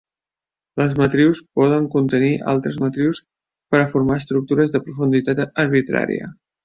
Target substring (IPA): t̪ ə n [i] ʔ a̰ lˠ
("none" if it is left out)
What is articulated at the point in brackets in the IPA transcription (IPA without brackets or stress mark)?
i